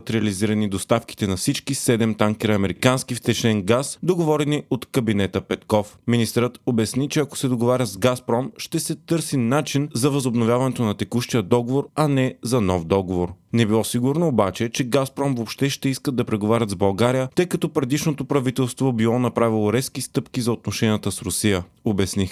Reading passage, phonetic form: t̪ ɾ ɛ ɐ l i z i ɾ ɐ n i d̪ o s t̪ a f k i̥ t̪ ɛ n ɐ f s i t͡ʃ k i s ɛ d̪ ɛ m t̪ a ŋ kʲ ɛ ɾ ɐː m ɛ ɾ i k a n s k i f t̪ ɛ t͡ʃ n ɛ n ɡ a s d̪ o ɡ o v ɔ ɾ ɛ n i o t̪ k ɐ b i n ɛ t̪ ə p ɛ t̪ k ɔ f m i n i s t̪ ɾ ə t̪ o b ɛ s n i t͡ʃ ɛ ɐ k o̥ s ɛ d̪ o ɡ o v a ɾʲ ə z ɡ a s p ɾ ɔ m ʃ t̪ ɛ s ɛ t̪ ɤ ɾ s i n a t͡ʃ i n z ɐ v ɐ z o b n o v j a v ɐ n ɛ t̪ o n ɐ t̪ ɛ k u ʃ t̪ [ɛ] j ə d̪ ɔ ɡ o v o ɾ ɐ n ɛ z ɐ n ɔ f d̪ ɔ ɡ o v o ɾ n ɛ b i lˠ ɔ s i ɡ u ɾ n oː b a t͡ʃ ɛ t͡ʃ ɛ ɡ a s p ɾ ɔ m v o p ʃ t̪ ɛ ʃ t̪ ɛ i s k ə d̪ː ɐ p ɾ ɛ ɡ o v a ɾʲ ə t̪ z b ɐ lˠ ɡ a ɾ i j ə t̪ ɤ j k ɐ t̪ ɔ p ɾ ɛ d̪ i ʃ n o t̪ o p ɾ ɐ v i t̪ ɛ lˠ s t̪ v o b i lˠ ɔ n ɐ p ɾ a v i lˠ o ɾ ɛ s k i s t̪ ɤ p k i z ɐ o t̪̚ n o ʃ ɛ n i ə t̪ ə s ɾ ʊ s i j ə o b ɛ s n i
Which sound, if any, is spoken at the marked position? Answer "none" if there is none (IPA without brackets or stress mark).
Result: i